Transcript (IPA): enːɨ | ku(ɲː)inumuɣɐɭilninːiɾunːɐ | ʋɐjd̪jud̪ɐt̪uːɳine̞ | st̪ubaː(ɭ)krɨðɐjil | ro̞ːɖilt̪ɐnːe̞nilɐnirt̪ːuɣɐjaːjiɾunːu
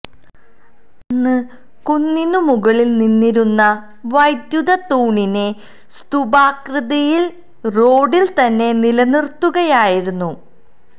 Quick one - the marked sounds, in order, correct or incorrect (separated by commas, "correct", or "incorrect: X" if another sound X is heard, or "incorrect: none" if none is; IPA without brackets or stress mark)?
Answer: incorrect: nː, incorrect: none